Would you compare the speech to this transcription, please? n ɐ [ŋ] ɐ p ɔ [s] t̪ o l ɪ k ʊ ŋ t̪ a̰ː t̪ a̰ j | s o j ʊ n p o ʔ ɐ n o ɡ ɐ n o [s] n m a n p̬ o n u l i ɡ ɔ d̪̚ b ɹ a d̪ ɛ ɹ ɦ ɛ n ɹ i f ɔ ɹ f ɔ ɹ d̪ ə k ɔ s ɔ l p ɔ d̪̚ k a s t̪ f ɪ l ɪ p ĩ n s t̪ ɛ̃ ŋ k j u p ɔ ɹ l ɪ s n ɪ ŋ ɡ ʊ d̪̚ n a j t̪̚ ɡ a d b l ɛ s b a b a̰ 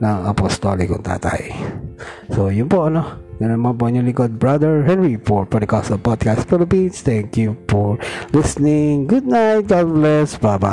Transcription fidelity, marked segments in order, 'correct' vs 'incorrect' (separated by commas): correct, correct, incorrect